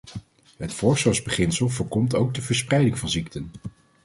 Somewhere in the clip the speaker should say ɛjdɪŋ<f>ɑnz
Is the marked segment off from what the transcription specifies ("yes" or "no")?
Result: yes